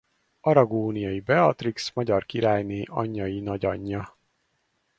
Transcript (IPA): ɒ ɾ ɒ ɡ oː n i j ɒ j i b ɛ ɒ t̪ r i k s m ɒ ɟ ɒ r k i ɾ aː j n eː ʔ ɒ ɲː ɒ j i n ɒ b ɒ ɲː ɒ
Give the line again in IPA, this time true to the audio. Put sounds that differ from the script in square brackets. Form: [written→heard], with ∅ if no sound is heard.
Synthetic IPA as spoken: ɒ ɾ ɒ ɡ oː n i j ɒ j i b ɛ ɒ t̪ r i k s m ɒ ɟ ɒ r k i ɾ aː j n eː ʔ ɒ ɲː ɒ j i n ɒ [b→ɟ] ɒ ɲː ɒ